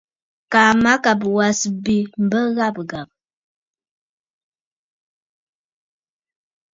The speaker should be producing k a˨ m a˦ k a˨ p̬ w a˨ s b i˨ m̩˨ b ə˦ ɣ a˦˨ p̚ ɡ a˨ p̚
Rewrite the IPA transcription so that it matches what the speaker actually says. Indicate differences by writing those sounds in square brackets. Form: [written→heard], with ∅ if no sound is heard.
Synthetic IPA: k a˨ m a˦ k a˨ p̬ w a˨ s b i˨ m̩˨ b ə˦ ɣ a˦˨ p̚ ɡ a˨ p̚